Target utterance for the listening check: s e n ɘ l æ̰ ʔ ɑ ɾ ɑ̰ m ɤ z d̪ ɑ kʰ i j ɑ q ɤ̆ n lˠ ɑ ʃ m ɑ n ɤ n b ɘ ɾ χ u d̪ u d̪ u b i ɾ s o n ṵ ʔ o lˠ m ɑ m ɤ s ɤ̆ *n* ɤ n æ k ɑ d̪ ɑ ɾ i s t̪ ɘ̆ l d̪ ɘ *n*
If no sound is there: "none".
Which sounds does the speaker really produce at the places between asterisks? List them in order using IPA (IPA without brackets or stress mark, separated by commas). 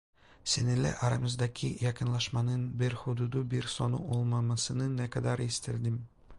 n, m